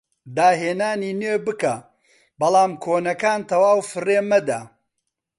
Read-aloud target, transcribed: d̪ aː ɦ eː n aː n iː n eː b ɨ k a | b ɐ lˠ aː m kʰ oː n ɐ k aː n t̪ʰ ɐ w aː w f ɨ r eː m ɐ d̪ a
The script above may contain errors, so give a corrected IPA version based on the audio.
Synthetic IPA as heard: d̪ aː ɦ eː n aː n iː n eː b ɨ k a | b ɐ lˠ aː m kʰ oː n ɐ k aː n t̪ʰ ɐ w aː w f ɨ r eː m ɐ d̪ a

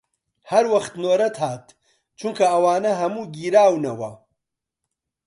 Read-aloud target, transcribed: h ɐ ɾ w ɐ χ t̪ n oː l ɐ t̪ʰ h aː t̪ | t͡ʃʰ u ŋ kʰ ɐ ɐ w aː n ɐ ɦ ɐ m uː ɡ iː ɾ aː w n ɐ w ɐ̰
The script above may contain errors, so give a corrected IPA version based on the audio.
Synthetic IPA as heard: h ɐ ɾ w ɐ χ t̪ n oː ɾ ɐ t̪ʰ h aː t̪ | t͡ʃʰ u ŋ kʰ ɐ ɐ w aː n ɐ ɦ ɐ m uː ɡ iː ɾ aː w n ɐ w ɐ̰

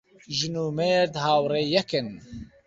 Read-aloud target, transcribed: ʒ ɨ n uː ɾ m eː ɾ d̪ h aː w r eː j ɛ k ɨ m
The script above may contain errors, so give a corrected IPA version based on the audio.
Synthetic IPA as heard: ʒ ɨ n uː m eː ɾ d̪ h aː w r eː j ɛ k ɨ n

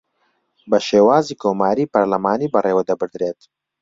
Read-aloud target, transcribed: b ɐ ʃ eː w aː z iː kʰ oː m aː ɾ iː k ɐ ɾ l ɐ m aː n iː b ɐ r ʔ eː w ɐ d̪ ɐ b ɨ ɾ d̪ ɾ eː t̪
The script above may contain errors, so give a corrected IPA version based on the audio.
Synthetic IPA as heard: b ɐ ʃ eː w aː z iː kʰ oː m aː ɾ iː p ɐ ɾ l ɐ m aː n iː b ɐ r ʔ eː w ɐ d̪ ɐ b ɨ ɾ d̪ ɾ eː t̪

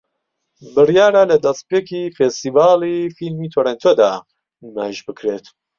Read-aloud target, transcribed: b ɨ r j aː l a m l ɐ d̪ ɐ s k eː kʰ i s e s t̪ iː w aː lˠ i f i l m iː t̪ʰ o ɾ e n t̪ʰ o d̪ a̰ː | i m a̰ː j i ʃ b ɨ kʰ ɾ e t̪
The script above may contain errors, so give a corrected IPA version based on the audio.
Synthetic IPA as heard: b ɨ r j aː ɾ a l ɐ d̪ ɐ s p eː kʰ i f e s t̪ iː v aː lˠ i f i l m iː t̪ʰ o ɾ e n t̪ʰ o d̪ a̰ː | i m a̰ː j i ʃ b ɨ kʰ ɾ e t̪

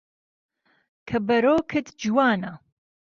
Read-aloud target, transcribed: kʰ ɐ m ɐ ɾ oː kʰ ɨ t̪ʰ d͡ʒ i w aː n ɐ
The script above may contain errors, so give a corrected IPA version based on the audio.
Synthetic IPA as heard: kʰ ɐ b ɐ ɾ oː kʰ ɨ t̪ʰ d͡ʒ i w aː n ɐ

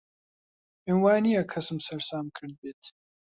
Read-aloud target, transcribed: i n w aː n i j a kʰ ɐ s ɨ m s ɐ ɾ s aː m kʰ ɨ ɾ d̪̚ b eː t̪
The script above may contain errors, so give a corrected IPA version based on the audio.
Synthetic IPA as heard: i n w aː n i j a kʰ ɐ s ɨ m s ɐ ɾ s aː m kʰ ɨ ɾ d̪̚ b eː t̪

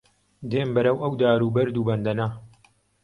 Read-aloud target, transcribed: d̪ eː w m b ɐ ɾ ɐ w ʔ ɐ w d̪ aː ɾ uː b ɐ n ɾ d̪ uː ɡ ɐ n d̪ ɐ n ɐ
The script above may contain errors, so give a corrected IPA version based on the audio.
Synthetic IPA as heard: d̪ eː m b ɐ ɾ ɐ w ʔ ɐ w d̪ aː ɾ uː b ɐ ɾ d̪ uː b ɐ n d̪ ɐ n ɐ

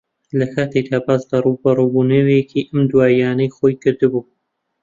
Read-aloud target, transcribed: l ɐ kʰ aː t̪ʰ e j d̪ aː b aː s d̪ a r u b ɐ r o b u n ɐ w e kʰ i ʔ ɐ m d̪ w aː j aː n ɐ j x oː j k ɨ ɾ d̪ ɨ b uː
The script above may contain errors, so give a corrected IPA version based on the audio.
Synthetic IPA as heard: l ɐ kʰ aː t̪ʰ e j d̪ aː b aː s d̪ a r u b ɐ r u b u n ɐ w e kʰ i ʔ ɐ m d̪ w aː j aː n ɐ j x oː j k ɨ ɾ d̪ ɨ b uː

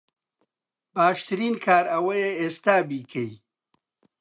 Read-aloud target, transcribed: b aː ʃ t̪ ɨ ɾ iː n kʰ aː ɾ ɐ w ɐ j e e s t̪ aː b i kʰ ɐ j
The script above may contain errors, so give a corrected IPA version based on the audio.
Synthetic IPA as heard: b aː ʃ t̪ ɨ ɾ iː n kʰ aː ɾ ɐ w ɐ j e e s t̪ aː b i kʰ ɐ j

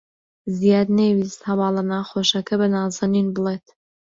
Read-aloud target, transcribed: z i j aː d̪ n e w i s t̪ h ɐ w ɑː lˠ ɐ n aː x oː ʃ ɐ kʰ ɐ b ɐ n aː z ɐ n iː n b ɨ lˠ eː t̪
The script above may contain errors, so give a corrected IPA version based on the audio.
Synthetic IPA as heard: z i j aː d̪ n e w i s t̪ h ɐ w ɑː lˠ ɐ n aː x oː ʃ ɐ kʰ ɐ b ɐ n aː z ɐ n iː n b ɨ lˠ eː t̪

